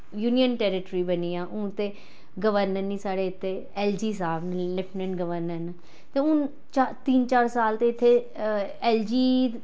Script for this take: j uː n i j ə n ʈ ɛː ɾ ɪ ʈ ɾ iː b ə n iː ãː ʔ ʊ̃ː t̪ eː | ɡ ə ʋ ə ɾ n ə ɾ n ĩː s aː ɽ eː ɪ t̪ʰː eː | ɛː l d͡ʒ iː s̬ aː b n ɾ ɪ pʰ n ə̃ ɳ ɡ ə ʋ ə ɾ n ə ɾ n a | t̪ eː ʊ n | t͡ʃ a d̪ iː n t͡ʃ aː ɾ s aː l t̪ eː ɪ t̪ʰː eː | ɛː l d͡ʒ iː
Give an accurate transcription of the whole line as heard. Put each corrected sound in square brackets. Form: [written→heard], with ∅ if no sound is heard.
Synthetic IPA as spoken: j uː n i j ə n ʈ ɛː ɾ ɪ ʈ ɾ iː b ə n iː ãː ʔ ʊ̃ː t̪ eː | ɡ ə ʋ ə ɾ n ə ɾ n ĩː s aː ɽ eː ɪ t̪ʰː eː | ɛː l d͡ʒ iː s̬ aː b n [ɾ→l] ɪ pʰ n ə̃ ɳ ɡ ə ʋ ə ɾ n ə ɾ n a | t̪ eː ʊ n | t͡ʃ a [d̪→t̪] iː n t͡ʃ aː ɾ s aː l t̪ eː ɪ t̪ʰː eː | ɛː l d͡ʒ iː